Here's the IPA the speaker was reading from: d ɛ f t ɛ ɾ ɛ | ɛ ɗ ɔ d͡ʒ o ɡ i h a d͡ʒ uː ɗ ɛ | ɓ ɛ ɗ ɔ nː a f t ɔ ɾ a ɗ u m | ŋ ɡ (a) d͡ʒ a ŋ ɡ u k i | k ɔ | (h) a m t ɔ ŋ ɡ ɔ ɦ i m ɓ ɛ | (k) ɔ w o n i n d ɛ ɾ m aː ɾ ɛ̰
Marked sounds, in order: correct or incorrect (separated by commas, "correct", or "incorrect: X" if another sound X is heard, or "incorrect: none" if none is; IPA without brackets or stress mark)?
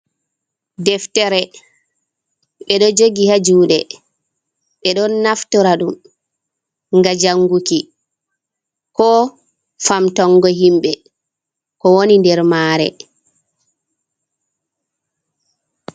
correct, incorrect: f, correct